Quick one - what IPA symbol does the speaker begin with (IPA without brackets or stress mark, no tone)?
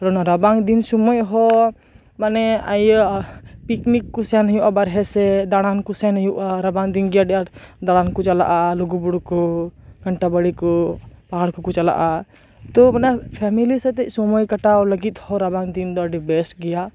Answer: ɾ